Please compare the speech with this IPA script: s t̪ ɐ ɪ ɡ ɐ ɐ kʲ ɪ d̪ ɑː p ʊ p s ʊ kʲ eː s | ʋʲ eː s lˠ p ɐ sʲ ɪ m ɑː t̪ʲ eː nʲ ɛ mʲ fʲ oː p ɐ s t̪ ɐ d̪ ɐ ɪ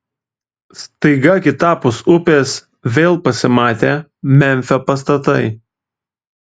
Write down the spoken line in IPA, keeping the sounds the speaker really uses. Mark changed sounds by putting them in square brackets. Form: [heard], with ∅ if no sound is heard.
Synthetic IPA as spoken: s t̪ ɐ ɪ ɡ ɐ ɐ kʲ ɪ [t̪] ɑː p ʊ [∅] s ʊ [pʲ] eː s | ʋʲ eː [∅] lˠ p ɐ sʲ ɪ m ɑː t̪ʲ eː [mʲ] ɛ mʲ fʲ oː p ɐ s t̪ ɐ [t̪] ɐ ɪ